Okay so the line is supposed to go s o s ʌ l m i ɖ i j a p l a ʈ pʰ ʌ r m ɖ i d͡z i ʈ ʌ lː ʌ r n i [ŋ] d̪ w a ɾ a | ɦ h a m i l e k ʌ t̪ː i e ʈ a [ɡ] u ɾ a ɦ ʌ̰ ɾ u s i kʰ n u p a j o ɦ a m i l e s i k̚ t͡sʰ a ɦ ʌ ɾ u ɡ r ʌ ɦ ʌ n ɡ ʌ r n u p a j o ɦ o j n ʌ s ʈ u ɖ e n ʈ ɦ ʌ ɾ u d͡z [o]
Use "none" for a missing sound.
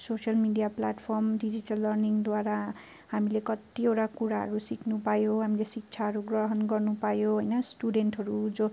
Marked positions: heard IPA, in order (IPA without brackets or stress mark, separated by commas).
ŋ, k, o